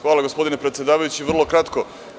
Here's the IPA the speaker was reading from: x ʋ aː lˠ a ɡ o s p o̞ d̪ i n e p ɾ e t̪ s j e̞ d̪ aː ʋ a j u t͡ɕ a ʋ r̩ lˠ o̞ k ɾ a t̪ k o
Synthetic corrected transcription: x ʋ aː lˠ a ɡ o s p o̞ d̪ i n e p ɾ e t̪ s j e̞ d̪ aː ʋ a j u t͡ɕ i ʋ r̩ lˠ o̞ k ɾ a t̪ k o